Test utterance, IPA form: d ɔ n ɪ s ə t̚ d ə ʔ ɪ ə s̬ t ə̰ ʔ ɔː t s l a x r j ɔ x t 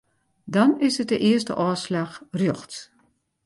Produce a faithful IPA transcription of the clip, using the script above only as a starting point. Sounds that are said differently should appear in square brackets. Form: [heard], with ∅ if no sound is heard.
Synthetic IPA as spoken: d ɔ n ɪ s ə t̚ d ə ʔ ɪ ə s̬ t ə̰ ʔ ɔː [∅] s l a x r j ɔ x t